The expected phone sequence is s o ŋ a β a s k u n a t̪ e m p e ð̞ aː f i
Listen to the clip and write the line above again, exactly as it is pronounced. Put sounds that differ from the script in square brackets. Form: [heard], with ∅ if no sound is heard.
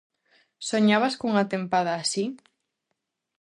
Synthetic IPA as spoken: s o [ɲ] a β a s k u [ŋ] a t̪ e m p [a] ð̞ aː [s] i